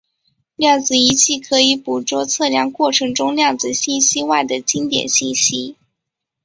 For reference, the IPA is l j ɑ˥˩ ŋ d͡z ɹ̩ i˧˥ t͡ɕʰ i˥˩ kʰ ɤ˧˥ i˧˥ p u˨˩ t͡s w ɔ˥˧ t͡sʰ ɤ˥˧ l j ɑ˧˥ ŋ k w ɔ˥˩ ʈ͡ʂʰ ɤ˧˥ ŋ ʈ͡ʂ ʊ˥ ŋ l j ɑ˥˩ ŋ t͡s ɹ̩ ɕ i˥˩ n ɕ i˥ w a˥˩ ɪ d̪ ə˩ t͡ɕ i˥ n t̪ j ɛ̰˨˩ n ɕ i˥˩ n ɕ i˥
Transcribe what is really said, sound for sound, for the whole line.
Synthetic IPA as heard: l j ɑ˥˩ ŋ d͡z ɹ̩ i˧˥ t͡ɕʰ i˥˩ kʰ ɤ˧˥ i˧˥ p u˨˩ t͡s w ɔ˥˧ t͡sʰ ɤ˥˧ l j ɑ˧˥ ŋ k w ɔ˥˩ ʈ͡ʂʰ ɤ˧˥ ŋ ʈ͡ʂ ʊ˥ ŋ l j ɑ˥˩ ŋ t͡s ɹ̩ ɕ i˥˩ n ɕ i˥ w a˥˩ ɪ d̪ ə˩ t͡ɕ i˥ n t̪ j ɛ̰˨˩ n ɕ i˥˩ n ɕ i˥